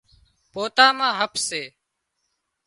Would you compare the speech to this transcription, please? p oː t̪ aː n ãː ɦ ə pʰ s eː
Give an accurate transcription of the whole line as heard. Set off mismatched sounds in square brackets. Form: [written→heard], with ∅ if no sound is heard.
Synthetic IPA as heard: p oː t̪ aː [n→m] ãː ɦ ə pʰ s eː